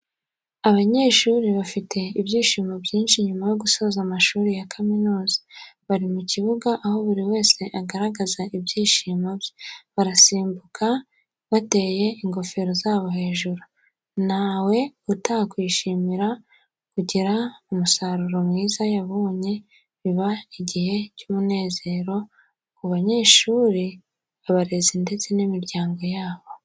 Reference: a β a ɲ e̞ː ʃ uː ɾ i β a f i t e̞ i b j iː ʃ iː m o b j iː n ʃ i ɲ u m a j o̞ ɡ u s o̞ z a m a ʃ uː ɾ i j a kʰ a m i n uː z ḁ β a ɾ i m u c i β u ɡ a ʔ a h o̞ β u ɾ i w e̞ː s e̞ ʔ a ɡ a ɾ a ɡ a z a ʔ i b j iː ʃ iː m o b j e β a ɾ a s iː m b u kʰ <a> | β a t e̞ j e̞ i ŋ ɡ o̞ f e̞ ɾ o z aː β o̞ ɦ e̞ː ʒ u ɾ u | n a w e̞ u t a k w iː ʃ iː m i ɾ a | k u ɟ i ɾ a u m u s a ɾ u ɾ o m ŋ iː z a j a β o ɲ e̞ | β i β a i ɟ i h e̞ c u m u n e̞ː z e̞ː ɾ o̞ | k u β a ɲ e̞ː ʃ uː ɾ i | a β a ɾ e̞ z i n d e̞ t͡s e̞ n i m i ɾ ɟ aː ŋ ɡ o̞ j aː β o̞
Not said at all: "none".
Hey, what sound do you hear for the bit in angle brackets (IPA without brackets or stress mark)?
a